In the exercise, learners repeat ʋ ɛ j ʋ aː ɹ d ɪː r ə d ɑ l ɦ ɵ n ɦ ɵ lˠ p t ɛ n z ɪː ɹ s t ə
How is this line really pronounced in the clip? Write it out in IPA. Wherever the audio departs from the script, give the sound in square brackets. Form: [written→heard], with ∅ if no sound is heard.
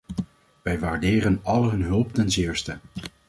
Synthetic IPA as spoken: ʋ ɛ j ʋ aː ɹ d ɪː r ə [d→n] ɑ l ɦ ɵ n ɦ ɵ lˠ p t ɛ n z ɪː ɹ s t ə